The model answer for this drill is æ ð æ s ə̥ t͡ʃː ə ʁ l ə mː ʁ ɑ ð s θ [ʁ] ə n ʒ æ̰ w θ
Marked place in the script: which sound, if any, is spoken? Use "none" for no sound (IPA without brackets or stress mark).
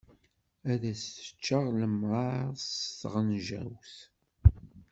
ʁ